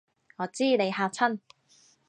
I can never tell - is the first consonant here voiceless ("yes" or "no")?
no